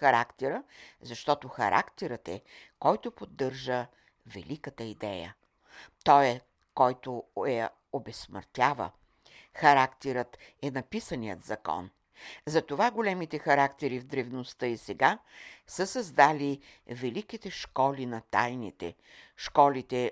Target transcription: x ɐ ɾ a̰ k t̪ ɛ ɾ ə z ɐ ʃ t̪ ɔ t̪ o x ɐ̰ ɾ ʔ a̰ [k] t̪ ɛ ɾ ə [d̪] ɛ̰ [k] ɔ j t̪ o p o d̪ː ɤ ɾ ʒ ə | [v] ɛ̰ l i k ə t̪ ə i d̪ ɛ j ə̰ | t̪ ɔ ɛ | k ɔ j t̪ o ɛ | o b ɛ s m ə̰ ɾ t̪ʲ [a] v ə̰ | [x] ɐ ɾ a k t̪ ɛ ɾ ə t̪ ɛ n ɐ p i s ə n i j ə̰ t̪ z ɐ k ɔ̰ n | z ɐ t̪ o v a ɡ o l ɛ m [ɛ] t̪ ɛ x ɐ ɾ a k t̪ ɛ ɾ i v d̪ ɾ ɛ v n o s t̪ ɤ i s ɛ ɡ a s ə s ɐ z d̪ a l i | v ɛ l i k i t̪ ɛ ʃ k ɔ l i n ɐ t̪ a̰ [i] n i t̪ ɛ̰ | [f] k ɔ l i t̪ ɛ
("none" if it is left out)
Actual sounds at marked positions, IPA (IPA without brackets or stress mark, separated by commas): k, t̪, k, v, a, x, i, j, ʃ